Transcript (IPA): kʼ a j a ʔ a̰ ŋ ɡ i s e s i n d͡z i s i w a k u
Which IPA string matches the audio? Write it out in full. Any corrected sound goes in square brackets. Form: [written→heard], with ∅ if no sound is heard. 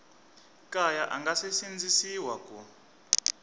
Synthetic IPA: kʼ a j a ʔ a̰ ŋ ɡ [i→a] s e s i n d͡z i s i w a k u